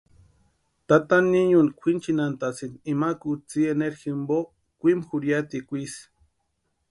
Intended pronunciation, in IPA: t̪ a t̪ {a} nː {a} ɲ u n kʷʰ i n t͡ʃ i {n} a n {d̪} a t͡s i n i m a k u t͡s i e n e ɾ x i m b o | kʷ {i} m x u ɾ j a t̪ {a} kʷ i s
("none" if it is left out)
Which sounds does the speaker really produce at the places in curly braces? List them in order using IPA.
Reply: a, i, n, t̪, i, i

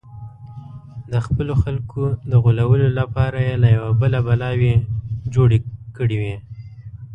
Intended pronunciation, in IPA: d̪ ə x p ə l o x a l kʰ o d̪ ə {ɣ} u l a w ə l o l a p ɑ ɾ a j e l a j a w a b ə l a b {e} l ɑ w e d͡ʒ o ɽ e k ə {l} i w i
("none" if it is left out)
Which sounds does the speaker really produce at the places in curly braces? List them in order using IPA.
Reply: ɣ, a, ɽ

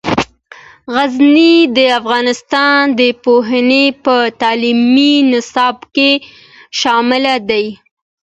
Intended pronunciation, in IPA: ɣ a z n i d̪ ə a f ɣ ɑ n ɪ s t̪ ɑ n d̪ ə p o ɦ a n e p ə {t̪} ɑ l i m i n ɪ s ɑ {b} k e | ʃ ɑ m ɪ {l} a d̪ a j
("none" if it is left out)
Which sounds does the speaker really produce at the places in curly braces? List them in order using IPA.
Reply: t̪, b, l

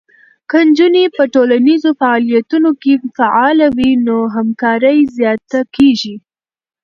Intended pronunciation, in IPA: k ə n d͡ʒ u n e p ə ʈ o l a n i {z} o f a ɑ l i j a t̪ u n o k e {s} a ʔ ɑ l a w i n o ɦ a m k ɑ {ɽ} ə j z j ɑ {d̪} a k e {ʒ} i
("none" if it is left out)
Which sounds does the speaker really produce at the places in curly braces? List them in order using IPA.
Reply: z, f, ɾ, t̪, ʒ

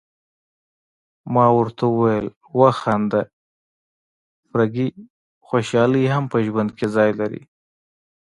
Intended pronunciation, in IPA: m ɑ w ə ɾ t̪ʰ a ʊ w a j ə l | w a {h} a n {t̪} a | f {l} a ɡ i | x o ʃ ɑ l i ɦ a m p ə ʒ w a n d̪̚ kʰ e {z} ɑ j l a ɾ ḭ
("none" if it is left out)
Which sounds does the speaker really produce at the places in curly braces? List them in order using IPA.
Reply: x, d̪, ɾ, z

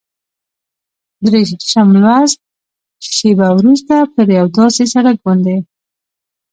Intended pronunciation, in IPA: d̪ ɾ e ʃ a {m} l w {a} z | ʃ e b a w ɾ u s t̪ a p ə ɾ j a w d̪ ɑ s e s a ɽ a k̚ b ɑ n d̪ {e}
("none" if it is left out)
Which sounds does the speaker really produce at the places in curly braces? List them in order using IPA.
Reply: m, a, e

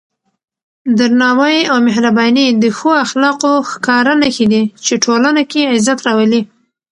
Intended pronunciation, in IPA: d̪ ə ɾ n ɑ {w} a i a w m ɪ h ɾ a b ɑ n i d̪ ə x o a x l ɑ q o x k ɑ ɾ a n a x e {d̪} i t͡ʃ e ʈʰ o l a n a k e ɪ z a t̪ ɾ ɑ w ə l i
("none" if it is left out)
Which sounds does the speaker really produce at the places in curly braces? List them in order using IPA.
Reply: w, d̪

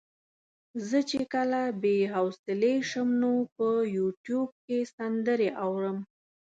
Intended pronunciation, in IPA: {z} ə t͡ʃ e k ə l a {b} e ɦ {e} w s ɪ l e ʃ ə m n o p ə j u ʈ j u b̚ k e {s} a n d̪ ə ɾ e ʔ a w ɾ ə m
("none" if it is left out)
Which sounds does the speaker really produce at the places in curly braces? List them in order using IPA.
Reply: z, b, a, s

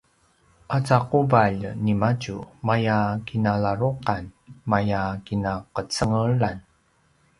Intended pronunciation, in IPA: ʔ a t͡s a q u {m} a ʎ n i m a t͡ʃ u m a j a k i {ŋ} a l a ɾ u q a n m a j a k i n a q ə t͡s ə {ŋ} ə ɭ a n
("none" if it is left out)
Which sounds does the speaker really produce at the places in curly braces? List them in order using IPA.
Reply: b, n, ŋ

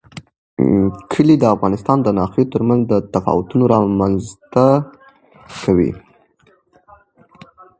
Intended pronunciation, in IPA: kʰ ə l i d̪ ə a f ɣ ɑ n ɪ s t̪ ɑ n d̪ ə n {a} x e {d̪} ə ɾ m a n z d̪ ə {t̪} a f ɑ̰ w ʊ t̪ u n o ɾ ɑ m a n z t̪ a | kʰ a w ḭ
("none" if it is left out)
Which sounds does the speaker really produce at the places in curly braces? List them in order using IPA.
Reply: ɑ, t̪, t̪

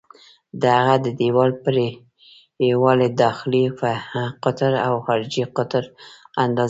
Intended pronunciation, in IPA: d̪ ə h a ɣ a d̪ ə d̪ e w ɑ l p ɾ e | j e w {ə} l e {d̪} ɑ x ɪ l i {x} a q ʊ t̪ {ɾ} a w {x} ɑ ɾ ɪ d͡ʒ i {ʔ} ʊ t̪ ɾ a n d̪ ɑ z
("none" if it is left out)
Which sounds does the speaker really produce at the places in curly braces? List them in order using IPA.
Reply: ɑ, d̪, f, ɾ, x, q

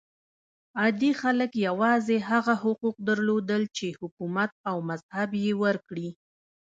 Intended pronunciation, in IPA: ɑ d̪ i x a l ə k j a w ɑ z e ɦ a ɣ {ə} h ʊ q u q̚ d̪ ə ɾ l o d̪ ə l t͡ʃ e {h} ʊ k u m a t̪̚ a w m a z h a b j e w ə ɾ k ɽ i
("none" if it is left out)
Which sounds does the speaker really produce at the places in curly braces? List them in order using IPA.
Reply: a, h

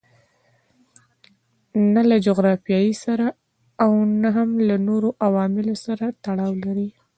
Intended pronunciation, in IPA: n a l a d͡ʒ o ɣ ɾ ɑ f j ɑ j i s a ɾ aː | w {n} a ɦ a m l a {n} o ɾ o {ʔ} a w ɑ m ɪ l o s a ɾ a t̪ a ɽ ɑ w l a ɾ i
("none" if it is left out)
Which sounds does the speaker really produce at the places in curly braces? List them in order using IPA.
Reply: n, n, ʔ

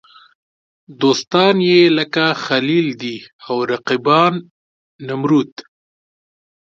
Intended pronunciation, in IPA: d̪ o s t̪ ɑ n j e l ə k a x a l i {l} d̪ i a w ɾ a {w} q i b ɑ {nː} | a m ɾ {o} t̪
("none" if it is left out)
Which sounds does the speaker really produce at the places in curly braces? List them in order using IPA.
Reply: l, none, nː, u

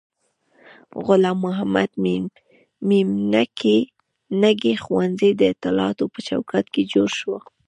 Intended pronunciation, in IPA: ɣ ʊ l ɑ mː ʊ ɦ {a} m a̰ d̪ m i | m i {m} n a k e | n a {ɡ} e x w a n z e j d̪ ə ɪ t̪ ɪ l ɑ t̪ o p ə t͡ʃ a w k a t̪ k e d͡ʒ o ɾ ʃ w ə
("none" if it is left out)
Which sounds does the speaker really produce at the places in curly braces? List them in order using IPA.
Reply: a, m, ɡ

